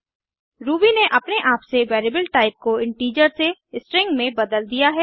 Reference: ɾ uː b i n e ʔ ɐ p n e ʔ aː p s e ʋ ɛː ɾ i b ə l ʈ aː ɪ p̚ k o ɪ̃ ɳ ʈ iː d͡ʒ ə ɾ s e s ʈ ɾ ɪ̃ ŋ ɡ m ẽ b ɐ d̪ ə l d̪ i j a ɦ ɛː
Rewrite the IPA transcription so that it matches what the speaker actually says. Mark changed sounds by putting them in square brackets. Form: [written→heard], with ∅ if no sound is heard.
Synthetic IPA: ɾ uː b i n e ʔ ɐ p n e ʔ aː p s e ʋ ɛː ɾ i b ə l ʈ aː ɪ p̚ k o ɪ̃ ɳ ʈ iː d͡ʒ ə ɾ s e s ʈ ɾ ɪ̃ ŋ ɡ m ẽ b ɐ d̪ ə l d̪ i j a ɦ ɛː